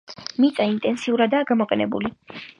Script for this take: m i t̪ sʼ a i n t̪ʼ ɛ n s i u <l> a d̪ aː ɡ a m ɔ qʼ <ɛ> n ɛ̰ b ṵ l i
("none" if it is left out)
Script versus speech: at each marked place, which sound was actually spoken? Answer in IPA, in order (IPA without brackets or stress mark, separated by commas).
ɾ, ɛ